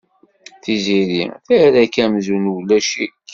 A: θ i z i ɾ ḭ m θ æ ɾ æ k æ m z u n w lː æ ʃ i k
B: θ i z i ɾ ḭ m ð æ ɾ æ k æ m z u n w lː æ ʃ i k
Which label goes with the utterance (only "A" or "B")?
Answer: A